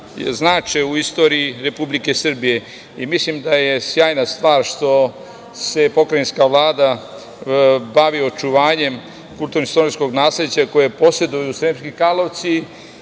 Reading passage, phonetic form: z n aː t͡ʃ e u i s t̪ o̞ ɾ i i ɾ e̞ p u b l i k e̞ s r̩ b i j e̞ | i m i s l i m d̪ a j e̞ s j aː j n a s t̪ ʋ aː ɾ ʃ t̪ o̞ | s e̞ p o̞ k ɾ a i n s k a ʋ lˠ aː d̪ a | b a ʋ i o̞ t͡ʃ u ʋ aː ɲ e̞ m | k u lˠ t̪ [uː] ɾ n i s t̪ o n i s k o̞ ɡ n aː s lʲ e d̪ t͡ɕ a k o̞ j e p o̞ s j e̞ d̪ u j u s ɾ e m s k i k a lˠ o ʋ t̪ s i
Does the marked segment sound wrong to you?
yes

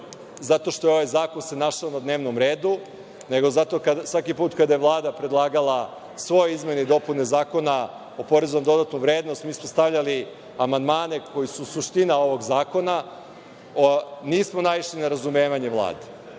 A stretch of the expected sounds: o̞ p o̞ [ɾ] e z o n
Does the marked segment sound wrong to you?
no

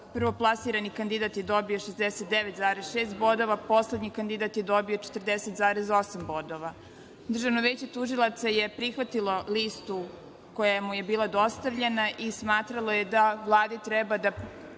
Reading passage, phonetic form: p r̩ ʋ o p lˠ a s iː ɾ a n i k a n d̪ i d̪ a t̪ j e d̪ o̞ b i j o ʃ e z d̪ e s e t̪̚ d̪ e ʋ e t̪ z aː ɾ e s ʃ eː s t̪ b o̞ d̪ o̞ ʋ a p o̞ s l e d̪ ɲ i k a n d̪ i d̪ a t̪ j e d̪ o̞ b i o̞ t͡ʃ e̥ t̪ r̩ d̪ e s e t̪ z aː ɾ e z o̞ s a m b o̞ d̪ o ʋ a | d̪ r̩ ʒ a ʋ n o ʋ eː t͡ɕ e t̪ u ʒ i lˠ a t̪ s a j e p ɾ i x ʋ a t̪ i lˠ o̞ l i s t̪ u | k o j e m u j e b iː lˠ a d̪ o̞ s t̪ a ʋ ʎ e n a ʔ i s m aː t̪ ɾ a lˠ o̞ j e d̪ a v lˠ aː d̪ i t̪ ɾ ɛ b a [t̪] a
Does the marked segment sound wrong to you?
yes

